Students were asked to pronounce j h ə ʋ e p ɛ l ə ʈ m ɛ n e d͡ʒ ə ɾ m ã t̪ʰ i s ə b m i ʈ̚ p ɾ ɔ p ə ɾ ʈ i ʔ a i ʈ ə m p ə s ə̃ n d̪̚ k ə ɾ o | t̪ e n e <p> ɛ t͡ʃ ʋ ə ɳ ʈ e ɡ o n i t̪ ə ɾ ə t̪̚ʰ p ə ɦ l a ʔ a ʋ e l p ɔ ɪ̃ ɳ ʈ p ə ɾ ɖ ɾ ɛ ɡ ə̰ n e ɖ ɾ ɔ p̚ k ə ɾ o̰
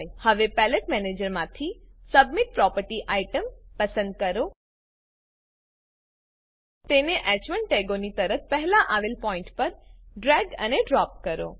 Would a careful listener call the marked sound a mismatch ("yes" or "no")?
yes